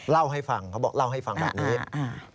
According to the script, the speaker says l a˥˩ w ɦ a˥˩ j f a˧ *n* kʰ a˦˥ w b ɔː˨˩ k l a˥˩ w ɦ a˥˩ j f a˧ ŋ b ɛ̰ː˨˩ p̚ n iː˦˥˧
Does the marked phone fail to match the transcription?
yes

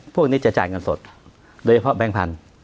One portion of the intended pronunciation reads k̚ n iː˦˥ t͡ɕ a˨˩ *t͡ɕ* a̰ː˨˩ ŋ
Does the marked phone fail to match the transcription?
no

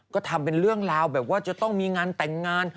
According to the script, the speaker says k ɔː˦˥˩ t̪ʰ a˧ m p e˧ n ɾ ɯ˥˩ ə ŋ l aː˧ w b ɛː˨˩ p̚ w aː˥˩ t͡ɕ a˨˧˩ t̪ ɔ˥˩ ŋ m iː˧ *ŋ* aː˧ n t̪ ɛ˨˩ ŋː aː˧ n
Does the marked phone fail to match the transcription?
no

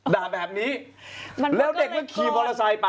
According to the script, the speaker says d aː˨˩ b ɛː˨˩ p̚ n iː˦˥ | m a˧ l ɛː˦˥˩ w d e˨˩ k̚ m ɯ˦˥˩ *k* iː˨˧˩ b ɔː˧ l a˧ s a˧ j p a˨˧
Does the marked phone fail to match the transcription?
yes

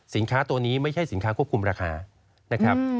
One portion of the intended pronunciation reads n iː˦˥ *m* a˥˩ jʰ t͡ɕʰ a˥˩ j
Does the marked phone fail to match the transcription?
no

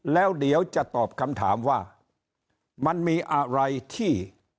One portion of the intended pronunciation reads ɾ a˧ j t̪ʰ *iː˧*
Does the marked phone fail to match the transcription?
yes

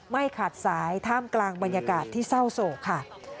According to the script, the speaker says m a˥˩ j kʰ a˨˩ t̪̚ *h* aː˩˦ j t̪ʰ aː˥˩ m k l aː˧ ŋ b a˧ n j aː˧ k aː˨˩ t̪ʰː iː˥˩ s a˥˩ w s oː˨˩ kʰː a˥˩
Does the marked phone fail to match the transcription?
yes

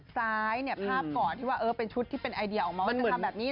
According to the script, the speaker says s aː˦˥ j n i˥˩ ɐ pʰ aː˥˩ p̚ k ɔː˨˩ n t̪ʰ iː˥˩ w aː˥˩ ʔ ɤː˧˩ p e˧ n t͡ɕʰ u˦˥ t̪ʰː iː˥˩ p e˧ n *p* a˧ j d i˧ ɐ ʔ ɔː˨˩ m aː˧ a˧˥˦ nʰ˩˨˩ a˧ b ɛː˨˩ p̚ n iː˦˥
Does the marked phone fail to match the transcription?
yes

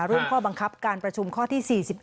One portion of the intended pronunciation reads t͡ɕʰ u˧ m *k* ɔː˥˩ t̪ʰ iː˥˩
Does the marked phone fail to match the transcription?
yes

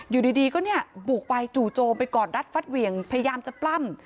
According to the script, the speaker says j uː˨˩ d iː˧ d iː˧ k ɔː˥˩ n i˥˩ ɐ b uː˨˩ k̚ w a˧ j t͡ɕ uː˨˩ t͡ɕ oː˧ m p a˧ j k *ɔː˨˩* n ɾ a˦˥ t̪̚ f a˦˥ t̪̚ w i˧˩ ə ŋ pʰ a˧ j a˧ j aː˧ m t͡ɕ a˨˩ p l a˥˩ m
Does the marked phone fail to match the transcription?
no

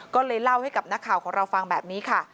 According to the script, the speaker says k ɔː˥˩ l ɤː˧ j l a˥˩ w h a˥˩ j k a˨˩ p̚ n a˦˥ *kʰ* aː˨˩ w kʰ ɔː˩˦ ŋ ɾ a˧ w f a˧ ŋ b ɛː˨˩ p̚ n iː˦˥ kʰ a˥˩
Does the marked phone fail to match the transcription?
no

